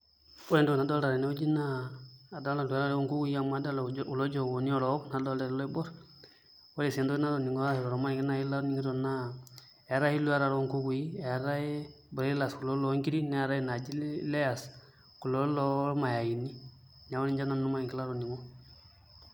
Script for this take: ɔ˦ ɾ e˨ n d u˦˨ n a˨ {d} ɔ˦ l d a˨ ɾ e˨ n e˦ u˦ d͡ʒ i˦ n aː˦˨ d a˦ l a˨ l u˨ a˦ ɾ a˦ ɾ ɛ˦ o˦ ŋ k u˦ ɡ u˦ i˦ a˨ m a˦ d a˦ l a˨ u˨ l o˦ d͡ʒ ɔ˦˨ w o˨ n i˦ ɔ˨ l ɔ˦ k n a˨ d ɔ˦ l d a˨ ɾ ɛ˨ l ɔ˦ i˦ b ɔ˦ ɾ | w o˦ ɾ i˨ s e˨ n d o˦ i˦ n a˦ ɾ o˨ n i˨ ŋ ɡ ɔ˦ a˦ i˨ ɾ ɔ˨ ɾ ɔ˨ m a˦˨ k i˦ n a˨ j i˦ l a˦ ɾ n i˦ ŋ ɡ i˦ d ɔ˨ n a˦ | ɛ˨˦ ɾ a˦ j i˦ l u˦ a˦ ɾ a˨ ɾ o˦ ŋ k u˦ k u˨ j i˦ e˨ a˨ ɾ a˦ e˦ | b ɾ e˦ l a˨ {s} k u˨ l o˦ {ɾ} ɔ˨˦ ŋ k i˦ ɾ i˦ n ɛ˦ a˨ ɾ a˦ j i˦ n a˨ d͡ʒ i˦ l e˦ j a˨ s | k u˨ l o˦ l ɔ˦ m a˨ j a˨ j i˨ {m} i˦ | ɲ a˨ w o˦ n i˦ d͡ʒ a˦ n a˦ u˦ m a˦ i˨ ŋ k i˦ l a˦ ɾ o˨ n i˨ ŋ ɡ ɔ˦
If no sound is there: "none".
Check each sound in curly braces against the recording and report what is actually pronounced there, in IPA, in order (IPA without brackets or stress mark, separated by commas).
d, s, l, n